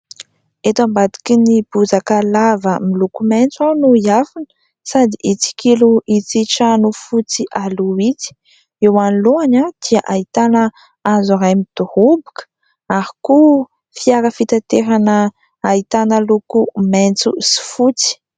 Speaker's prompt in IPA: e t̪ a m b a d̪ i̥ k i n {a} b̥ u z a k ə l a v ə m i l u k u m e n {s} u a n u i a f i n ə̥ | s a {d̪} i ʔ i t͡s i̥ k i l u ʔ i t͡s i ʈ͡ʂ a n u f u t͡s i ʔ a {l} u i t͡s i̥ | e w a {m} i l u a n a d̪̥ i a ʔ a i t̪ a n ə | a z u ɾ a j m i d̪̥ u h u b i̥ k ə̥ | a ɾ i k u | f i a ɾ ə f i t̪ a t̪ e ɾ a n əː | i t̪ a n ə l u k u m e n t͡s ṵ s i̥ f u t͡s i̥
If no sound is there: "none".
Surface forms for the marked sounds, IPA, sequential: i, t͡s, d̪, l, n

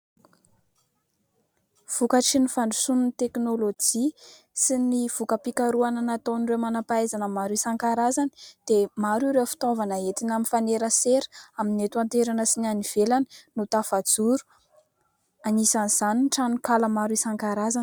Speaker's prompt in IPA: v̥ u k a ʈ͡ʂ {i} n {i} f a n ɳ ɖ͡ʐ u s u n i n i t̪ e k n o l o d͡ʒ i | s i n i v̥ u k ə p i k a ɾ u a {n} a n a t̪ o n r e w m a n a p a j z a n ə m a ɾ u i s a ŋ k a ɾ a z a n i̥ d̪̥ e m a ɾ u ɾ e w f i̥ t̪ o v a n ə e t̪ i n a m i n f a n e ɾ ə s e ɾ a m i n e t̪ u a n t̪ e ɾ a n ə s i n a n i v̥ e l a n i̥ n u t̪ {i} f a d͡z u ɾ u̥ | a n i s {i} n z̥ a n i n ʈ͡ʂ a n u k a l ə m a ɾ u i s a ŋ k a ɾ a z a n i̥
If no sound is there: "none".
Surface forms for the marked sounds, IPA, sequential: i, i, n, a, a

